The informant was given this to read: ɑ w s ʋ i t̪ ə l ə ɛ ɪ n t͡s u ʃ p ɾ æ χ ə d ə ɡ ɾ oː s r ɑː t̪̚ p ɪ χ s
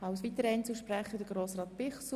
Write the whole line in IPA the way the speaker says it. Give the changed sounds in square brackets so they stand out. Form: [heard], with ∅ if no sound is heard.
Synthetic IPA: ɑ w s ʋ i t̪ ə [ɾ] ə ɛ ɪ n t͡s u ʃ p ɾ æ χ ə d ə ɡ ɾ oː s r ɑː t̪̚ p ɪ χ s